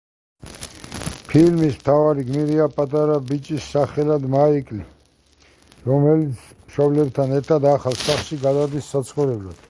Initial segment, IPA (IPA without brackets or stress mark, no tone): pʰ